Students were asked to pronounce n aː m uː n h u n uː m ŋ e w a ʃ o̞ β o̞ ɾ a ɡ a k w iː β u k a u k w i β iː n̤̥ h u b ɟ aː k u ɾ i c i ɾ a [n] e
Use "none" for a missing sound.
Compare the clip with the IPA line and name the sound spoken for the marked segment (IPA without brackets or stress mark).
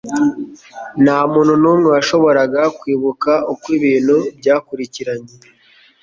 ɲ